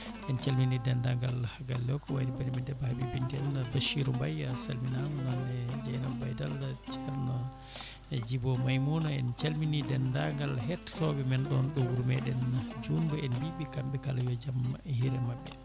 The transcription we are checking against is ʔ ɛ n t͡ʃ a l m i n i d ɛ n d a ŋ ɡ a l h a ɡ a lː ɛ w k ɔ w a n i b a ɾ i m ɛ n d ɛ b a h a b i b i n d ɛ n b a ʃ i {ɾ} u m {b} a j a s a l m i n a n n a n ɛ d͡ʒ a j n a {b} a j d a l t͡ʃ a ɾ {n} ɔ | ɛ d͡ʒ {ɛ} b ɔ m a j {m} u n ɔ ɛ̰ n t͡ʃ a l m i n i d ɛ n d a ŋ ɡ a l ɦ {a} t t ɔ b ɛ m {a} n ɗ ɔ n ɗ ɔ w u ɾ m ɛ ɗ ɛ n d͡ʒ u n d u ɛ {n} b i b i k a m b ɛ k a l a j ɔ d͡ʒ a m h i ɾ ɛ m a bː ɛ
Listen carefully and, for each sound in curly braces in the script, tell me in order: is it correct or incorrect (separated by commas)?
correct, correct, correct, correct, incorrect, correct, incorrect, incorrect, correct